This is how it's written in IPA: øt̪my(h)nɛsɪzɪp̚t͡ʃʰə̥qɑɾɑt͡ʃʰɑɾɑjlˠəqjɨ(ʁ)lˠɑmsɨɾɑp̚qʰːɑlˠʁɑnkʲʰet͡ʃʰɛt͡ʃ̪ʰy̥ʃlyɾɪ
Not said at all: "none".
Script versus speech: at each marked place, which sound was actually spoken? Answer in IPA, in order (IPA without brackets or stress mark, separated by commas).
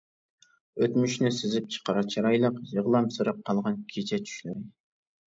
ʃ, ʁ